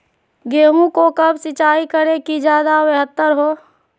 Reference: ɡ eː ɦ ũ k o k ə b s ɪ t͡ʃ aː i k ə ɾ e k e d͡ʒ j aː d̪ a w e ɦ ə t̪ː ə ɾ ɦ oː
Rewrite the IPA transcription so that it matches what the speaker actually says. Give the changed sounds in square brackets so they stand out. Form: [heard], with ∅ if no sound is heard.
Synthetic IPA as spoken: ɡ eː ɦ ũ k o k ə b s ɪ t͡ʃ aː i k ə ɾ e k [i] d͡ʒ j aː d̪ a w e ɦ ə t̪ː ə ɾ ɦ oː